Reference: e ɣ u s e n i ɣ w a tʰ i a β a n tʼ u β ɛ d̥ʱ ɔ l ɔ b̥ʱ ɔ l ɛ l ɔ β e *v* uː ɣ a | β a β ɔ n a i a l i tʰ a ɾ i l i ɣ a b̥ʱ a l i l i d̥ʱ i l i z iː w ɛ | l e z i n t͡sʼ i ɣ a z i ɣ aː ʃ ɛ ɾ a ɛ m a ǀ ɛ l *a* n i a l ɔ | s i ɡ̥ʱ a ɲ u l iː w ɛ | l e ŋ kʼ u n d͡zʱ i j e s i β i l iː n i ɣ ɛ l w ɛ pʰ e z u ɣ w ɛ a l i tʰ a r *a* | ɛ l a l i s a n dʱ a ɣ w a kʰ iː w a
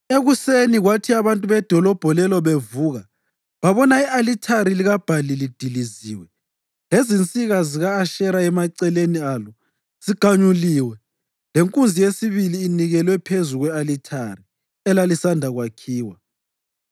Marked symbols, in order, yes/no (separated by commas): yes, no, no